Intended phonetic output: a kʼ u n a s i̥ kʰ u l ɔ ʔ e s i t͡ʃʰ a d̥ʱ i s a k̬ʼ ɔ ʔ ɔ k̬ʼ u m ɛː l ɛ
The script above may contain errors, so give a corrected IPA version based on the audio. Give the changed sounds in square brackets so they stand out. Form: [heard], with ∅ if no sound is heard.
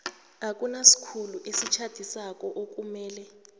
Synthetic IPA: a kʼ u n a s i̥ kʰ u l [u] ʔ e s i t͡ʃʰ a d̥ʱ i s a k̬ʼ ɔ ʔ [o] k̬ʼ u m ɛː l ɛ